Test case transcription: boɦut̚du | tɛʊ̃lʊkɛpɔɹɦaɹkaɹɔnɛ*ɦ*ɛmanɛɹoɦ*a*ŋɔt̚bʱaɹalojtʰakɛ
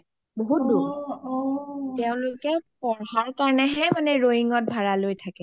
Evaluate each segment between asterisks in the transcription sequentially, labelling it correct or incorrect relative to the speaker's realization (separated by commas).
correct, incorrect